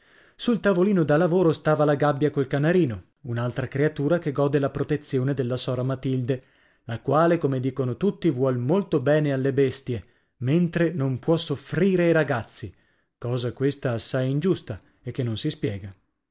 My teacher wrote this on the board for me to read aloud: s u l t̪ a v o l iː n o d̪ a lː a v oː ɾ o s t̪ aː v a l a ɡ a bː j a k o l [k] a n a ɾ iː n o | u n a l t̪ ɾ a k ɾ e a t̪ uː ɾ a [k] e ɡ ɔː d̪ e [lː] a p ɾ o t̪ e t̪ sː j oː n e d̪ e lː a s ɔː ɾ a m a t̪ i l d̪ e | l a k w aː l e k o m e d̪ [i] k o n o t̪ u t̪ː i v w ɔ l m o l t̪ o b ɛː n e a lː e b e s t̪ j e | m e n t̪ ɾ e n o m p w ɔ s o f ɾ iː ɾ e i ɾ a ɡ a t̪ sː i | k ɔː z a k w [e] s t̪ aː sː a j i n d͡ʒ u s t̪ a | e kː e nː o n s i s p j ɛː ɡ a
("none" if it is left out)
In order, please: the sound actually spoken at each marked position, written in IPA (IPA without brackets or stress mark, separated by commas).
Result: k, k, l, iː, e